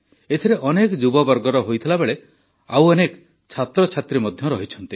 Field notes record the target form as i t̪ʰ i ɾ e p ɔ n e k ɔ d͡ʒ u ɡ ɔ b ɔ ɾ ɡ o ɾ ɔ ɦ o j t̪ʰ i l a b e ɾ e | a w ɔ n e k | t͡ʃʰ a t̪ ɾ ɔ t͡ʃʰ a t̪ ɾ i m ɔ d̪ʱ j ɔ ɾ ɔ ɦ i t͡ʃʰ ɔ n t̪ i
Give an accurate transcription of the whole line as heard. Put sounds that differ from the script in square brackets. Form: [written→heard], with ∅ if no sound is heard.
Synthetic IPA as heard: [i→e] t̪ʰ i ɾ e [p→ʔ] ɔ n e k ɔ d͡ʒ u [ɡ→b] ɔ b ɔ ɾ ɡ [o→ɔ] ɾ ɔ ɦ o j t̪ʰ i l a b e [ɾ→ɭ] e | a w ɔ n e k | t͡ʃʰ a t̪ ɾ ɔ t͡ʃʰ a t̪ ɾ i m ɔ d̪ʱ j ɔ ɾ ɔ ɦ i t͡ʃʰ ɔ n t̪ i

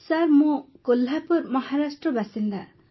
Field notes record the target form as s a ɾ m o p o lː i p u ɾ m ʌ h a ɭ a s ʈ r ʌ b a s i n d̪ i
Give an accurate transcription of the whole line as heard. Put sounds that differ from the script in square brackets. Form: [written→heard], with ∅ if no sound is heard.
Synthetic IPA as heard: s a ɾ m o [p→k] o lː [i→a] p u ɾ m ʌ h a [ɭ→ɾ] a s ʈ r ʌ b a s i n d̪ [i→a]

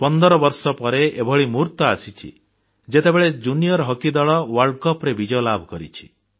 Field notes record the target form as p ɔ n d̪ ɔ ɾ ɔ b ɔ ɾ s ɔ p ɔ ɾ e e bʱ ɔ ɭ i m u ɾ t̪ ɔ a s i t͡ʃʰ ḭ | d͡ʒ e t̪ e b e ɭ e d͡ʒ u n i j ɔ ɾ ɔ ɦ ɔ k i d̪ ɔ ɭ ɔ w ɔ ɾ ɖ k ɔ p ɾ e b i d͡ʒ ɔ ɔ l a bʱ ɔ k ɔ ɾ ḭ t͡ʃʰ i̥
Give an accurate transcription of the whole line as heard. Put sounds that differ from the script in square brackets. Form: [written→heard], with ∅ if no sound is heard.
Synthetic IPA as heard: p ɔ n d̪ ɔ ɾ ɔ b ɔ ɾ s ɔ p ɔ ɾ e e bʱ ɔ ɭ i m u ɾ t̪ ɔ a s i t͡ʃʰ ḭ | d͡ʒ e t̪ e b e ɭ e d͡ʒ u n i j ɔ ɾ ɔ ɦ ɔ k i d̪ ɔ ɭ ɔ w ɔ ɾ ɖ k ɔ p ɾ e b i d͡ʒ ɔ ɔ l a bʱ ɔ k ɔ ɾ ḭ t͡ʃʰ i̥

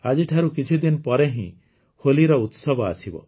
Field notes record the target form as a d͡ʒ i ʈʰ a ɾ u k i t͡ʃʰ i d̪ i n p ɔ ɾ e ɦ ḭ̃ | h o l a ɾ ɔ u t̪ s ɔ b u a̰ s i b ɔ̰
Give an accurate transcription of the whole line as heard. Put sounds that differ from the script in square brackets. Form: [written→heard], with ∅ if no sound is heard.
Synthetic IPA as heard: a d͡ʒ i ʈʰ a ɾ u k i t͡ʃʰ i d̪ i n p ɔ ɾ e ɦ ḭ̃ | h o l [a→i] ɾ ɔ u t̪ s ɔ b [u→ɔ] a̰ s i b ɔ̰

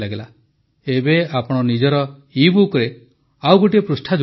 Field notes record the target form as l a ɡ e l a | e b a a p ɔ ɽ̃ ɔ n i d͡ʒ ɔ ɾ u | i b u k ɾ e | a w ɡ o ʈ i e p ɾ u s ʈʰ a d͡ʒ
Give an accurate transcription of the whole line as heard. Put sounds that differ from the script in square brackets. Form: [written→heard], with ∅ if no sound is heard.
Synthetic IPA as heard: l a ɡ e l a | e b [a→e] a p ɔ ɽ̃ ɔ n i d͡ʒ ɔ ɾ [u→ɔ] | i b u k ɾ e | a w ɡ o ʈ i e p ɾ u s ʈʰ a d͡ʒ

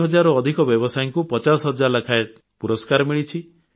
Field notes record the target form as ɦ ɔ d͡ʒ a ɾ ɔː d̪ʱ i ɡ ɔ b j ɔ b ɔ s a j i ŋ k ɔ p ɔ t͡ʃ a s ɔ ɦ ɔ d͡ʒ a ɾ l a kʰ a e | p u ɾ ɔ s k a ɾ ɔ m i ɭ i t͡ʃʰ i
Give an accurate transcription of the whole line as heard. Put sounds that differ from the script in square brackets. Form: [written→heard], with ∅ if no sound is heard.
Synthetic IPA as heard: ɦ ɔ d͡ʒ a ɾ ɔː d̪ʱ i [ɡ→k] ɔ b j ɔ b ɔ s a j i ŋ k [ɔ→u] p ɔ t͡ʃ a s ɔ ɦ ɔ d͡ʒ a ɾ l a kʰ a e | p u ɾ ɔ s k a ɾ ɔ m i ɭ i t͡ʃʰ i

